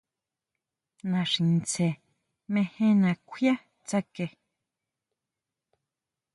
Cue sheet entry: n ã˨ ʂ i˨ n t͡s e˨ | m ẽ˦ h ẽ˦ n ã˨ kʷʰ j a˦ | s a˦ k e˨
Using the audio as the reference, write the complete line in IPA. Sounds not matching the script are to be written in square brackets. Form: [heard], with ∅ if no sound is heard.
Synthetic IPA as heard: n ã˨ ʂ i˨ n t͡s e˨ | m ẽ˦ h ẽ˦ n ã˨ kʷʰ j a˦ | [t͡s] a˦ k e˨